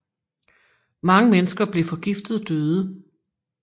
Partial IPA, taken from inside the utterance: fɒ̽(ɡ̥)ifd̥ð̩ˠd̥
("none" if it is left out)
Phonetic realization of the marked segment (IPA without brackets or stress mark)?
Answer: ɡ̥